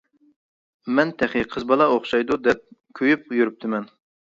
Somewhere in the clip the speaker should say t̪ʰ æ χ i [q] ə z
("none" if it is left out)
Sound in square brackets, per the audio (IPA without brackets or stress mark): qʰ